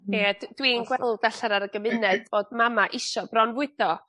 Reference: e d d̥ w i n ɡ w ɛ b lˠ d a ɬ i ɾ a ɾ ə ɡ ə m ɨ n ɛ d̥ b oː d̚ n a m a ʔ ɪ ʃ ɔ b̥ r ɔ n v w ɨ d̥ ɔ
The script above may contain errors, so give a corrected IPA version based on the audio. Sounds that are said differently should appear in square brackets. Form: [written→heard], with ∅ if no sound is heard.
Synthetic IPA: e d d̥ w i n ɡ w ɛ [b→∅] lˠ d a ɬ [i→a] ɾ a ɾ ə ɡ ə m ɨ n ɛ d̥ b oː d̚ [n→m] a m a ʔ ɪ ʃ ɔ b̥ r ɔ n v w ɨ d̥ ɔ